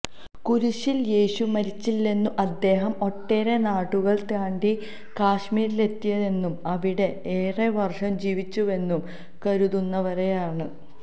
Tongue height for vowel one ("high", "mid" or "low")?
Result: high